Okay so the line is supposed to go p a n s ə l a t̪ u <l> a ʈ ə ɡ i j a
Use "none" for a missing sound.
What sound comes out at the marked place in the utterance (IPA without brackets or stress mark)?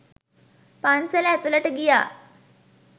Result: l